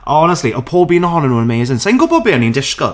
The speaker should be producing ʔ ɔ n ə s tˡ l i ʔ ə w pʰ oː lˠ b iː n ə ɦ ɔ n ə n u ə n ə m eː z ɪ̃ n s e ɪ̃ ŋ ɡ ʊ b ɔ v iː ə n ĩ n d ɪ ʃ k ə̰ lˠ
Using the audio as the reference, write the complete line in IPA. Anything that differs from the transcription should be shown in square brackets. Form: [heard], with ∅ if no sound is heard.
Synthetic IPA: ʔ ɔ n ə s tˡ l i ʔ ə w pʰ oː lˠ b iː n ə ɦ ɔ n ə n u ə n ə m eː z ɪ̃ n s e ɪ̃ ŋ ɡ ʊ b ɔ [b] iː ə n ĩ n d ɪ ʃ k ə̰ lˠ